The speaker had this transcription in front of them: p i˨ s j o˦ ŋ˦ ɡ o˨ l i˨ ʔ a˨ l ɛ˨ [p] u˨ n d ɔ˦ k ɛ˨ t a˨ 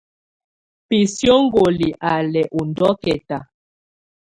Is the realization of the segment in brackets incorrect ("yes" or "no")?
yes